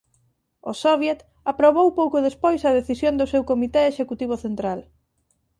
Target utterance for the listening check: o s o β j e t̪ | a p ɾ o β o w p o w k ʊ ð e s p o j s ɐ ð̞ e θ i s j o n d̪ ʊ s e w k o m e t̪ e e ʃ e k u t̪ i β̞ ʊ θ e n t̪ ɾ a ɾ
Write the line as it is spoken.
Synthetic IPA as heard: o s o β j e t̪ | a p ɾ o β o w p o w k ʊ ð e s p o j s ɐ ð̞ e θ i s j o n d̪ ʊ s e w k o m i t̪ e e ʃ e k u t̪ i β̞ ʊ θ e n t̪ ɾ a l